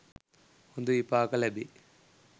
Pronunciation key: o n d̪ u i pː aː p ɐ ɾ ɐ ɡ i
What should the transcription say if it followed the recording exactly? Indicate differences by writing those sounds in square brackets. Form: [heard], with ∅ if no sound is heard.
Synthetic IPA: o n d̪ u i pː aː [k] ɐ [l] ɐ [b] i